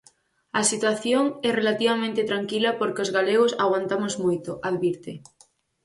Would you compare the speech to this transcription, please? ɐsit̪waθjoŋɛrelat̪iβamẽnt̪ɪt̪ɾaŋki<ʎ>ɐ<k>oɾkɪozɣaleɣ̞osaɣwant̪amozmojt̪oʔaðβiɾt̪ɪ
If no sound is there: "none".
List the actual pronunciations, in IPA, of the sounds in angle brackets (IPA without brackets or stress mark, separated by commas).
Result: l, p